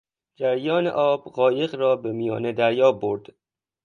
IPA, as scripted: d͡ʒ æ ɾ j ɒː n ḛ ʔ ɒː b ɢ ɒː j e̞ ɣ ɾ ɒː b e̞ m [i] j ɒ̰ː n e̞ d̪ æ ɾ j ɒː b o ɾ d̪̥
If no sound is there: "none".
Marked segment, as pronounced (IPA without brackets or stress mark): i